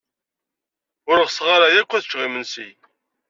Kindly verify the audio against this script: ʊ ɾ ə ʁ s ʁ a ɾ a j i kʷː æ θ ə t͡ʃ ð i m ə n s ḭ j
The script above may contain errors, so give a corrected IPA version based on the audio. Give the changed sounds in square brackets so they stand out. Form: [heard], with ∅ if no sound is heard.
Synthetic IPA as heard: ʊ ɾ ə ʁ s ʁ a ɾ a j [æ] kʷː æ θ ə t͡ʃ [ʁ] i m ə n s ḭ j